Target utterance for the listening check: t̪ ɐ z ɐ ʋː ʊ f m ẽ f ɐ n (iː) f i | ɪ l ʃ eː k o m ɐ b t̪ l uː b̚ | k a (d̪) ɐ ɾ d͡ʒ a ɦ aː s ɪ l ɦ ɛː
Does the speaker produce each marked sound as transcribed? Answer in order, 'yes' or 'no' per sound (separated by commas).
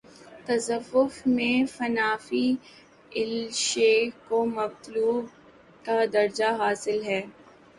no, yes